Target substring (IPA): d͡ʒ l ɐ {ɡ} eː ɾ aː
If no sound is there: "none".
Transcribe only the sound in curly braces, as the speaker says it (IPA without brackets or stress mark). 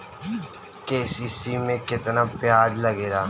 ɡ